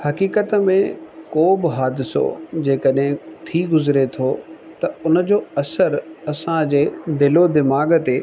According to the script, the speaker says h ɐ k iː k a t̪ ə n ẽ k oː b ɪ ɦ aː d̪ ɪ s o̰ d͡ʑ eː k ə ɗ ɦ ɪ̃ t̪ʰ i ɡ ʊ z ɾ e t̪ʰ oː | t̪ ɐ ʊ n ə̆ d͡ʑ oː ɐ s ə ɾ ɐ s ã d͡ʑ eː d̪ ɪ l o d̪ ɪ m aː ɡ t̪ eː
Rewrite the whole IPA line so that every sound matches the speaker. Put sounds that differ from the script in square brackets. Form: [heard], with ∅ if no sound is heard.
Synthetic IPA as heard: h ɐ k iː k [ə] t̪ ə [m] ẽ k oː b ɪ ɦ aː d̪ ɪ s o̰ d͡ʑ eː k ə ɗ ɦ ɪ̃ t̪ʰ i ɡ ʊ z ɾ e t̪ʰ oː | t̪ ɐ ʊ n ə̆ d͡ʑ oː ɐ s ə ɾ ɐ s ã d͡ʑ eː d̪ ɪ l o d̪ ɪ m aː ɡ t̪ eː